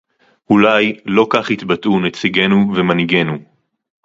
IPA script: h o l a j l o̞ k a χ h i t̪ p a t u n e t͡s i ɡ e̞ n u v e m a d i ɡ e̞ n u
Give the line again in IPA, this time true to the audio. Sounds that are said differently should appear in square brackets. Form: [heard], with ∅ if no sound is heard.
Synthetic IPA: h [u] l a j l o̞ k a χ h i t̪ [b] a t u n e t͡s i ɡ e̞ n u v e m a [n] i ɡ e̞ n u

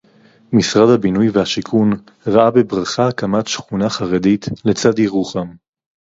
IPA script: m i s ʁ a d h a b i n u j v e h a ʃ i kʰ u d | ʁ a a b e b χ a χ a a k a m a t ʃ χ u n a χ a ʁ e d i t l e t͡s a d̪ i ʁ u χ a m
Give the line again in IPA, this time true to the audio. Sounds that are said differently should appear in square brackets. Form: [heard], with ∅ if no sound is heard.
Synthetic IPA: m i s ʁ a d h a b i n u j v e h a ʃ i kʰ u [n] | ʁ a a b e b [ʁ] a χ a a k a m a t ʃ χ u n a χ a ʁ e d i t l e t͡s a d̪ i ʁ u χ a m

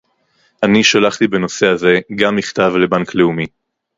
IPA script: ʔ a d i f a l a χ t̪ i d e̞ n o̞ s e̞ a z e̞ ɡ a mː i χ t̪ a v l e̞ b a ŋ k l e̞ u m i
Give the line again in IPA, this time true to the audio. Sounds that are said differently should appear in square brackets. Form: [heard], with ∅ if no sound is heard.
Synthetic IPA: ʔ a [n] i [ʃ] a l a χ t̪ i [b] e̞ n o̞ s e̞ a z e̞ ɡ a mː i χ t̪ a v l e̞ b a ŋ k l e̞ u m i

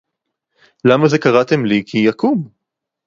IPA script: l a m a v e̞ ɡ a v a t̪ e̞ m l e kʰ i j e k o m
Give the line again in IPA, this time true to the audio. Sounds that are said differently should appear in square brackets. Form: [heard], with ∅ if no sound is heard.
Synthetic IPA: l a m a [z] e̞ [k] a [ʁ] a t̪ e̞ m l [i] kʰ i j [a] k [u] m

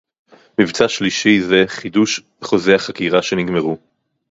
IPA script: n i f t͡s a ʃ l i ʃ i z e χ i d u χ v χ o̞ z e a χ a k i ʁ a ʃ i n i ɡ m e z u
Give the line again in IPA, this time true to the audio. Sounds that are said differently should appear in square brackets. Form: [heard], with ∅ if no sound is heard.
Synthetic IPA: [m] i [v] t͡s a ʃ l i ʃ i z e χ i d u [ʃ] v χ o̞ z e a χ a k i ʁ a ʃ [e] n i ɡ m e [ʁ] u

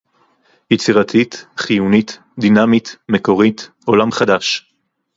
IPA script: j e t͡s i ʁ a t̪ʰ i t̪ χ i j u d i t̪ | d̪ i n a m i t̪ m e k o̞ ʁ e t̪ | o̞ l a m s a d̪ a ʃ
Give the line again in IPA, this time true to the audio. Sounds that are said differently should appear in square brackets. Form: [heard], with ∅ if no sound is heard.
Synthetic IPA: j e t͡s i ʁ a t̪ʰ i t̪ χ i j u [n] i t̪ | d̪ i n a m i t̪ m e k o̞ ʁ [i] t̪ | o̞ l a m [χ] a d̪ a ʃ

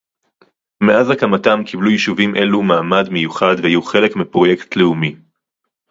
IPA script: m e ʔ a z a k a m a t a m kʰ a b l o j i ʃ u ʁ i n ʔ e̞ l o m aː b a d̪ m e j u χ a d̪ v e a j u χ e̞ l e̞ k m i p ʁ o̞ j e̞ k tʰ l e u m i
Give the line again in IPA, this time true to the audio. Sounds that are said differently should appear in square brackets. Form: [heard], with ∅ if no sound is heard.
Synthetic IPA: m e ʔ a z a k a m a t a m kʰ [i] b l [u] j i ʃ u [v] i [m] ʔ e̞ l [u] m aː [m] a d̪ m e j u χ a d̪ v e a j u χ e̞ l e̞ k m i p ʁ o̞ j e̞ k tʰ l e u m i

